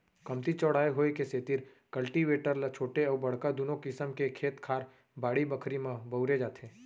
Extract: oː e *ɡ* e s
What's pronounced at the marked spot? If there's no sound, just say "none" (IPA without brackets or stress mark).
k